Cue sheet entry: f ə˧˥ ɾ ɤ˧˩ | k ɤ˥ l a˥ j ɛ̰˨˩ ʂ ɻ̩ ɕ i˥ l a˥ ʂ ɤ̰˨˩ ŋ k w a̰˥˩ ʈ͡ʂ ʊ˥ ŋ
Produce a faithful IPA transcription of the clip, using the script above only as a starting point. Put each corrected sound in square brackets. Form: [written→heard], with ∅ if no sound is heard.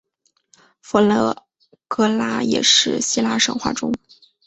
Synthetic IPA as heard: f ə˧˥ [ɾ→l] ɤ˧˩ | k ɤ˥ l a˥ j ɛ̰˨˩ ʂ ɻ̩ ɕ i˥ l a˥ ʂ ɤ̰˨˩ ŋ [k→x] w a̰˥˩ ʈ͡ʂ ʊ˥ ŋ